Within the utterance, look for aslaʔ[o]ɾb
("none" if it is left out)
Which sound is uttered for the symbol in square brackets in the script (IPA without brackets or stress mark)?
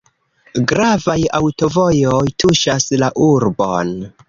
u